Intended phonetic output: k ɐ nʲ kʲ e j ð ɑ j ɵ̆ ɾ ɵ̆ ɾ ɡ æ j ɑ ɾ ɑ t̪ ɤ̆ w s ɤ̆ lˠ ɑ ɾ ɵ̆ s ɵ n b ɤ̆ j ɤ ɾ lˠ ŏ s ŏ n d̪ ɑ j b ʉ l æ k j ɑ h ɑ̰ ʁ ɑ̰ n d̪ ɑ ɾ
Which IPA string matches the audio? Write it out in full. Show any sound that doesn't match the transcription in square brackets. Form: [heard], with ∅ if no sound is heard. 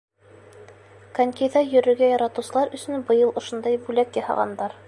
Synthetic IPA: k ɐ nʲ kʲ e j ð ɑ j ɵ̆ ɾ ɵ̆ ɾ ɡ æ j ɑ ɾ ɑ t̪ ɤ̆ w s ɤ̆ lˠ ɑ ɾ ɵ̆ s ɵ n b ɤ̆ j ɤ [∅] lˠ ŏ [ʃ] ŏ n d̪ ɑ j b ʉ l æ k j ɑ h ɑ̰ ʁ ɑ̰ n d̪ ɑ ɾ